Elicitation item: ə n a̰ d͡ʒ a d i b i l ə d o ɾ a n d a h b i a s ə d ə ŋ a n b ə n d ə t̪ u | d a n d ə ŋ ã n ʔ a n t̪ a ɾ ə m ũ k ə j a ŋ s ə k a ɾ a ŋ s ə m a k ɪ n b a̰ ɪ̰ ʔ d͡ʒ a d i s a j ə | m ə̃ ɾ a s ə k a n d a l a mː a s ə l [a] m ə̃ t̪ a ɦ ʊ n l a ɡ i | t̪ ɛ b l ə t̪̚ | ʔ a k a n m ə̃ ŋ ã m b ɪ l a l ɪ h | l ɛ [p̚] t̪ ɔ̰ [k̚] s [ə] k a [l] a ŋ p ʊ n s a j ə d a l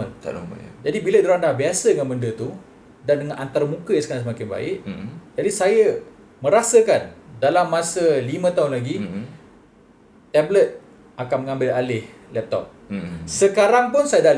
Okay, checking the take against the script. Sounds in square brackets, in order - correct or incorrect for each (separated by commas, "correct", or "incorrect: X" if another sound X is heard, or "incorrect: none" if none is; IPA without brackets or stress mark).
incorrect: i, correct, incorrect: p̚, correct, incorrect: ɾ